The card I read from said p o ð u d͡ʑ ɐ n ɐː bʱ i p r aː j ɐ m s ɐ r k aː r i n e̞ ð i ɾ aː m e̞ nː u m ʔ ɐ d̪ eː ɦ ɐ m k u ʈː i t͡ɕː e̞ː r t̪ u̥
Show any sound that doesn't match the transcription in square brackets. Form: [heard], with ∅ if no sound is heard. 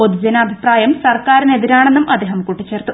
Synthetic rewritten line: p o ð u d͡ʑ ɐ n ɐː bʱ i p r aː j ɐ m s ɐ r k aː [ɾ] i n e̞ ð i ɾ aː [ɳ] e̞ nː u m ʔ ɐ d̪ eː ɦ ɐ m k u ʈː i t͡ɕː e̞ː r t̪ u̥